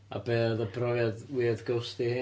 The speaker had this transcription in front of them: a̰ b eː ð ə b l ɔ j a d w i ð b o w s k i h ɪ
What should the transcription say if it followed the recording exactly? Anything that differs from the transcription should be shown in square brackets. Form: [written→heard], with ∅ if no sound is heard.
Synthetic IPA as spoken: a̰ b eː ð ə b [l→r] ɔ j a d w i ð [b→ɡ] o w s [k→t] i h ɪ